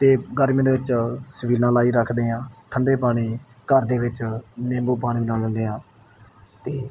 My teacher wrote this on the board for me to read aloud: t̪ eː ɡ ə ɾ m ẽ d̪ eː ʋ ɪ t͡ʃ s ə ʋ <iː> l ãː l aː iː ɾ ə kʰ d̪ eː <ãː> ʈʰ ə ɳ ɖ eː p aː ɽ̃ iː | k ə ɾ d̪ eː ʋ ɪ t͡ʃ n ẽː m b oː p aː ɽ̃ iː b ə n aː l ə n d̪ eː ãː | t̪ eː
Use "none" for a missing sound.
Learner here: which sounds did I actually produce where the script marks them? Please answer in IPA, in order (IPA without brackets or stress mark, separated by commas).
iː, ãː